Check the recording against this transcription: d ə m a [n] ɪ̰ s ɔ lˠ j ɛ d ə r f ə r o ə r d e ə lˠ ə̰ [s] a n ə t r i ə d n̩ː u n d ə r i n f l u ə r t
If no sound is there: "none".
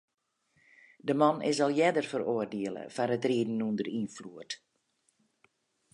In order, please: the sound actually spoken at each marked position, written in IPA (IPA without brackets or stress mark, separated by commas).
n, f